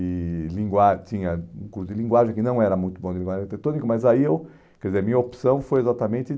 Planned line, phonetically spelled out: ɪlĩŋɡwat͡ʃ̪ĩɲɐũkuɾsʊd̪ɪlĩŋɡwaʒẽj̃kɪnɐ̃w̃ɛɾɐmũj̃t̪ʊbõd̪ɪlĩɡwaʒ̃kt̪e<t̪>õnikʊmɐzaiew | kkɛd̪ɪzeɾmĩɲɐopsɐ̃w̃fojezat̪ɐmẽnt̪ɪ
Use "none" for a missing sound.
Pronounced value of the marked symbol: t̪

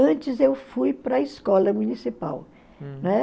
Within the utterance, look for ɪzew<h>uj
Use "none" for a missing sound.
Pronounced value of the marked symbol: f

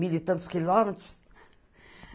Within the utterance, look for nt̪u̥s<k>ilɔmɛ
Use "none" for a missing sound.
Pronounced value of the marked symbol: k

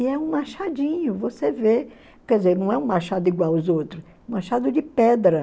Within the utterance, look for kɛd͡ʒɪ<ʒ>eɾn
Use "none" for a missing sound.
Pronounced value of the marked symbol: z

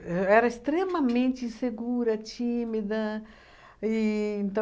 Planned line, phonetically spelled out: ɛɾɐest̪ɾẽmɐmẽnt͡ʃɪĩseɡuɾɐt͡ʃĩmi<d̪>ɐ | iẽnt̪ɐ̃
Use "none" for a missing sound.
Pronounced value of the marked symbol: d̪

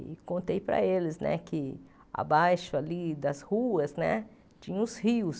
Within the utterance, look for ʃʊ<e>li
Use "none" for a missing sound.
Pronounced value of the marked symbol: a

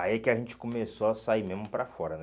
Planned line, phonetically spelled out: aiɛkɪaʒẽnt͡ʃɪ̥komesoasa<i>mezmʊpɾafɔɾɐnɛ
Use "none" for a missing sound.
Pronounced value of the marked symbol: i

